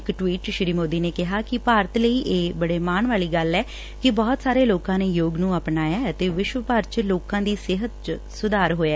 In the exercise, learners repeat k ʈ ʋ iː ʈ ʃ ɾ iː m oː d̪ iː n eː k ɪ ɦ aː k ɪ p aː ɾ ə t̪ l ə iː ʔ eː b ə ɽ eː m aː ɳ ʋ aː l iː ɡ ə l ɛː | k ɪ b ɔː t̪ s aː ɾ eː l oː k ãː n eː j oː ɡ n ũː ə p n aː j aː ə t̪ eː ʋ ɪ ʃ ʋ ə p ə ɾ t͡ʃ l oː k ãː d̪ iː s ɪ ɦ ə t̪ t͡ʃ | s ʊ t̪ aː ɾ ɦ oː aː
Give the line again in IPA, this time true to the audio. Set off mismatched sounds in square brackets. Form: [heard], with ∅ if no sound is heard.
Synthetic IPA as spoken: k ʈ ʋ iː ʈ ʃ ɾ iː m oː d̪ iː n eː k ɪ ɦ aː k ɪ p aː ɾ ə t̪ l ə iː ʔ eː b ə ɽ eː m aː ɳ ʋ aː l iː ɡ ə l ɛː | k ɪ b ɔː t̪ s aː ɾ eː l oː k ãː n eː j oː ɡ n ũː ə p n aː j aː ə t̪ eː ʋ ɪ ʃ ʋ ə p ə ɾ t͡ʃ l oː k ãː d̪ iː s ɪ ɦ ə t̪ t͡ʃ | s ʊ [d̪] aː ɾ ɦ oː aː